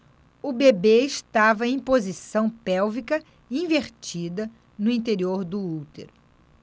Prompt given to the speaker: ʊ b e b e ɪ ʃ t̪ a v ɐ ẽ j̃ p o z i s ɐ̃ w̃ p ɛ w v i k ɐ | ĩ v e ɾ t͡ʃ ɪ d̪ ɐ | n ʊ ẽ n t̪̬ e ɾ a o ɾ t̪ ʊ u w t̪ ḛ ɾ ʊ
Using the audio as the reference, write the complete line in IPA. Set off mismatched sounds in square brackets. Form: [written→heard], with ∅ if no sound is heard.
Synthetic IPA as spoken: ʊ b e b e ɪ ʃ t̪ a v ɐ ẽ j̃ p o z i s ɐ̃ w̃ p ɛ w v i k ɐ | ĩ v e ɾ t͡ʃ [ɪ→i] d̪ ɐ | n ʊ [ẽ→ĩ] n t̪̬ e ɾ [a→i] o ɾ [t̪→d̪] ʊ u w t̪ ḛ ɾ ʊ